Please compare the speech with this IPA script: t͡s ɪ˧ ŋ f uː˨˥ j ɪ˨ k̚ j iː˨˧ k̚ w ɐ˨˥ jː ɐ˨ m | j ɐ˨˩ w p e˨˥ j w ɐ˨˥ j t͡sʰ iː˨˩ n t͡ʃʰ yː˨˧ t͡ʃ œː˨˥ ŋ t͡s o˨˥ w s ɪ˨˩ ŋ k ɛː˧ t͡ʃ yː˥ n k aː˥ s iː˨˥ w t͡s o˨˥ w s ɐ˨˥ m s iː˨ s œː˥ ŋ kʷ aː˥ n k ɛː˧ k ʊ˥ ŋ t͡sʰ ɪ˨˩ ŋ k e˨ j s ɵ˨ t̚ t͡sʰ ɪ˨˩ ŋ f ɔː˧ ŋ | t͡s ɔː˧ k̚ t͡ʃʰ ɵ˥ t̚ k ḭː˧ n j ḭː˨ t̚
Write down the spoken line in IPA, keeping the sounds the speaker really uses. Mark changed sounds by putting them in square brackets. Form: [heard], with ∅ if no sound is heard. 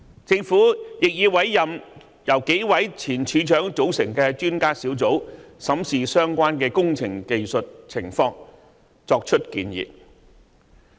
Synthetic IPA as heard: t͡s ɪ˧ ŋ f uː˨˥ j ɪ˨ k̚ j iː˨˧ [∅] w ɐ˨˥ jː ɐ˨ m | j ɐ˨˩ w [k] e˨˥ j w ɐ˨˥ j t͡sʰ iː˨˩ n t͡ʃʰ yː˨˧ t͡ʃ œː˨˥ ŋ t͡s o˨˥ w s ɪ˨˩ ŋ k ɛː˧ t͡ʃ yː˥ n k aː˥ s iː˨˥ w t͡s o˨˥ w s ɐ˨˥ m s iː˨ s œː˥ ŋ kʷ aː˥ n k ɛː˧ k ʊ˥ ŋ t͡sʰ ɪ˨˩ ŋ k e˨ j s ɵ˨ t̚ t͡sʰ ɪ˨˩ ŋ f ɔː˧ ŋ | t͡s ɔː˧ k̚ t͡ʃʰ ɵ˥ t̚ k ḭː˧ n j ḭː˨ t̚